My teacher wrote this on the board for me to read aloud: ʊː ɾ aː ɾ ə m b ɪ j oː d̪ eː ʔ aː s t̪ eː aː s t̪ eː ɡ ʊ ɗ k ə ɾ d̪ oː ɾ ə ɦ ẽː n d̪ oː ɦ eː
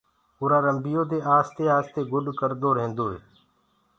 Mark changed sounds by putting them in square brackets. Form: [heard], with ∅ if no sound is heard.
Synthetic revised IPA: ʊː ɾ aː ɾ ə m b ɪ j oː d̪ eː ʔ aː s t̪ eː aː s t̪ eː ɡ ʊ ɗ k ə ɾ d̪ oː ɾ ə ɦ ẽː n d̪ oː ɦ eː